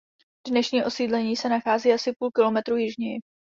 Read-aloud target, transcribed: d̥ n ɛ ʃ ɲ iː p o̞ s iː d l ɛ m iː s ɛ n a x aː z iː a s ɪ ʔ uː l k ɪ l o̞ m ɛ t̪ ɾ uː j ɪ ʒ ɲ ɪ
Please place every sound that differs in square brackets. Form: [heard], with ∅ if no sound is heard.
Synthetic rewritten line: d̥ n ɛ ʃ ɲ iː [ʔ] o̞ s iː d l ɛ [ɲ] iː s ɛ n a x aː z iː a s ɪ [p] uː l k ɪ l o̞ m ɛ t̪ ɾ uː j ɪ ʒ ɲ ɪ